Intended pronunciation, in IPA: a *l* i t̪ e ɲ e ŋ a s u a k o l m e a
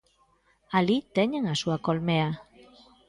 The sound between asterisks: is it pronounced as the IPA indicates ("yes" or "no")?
yes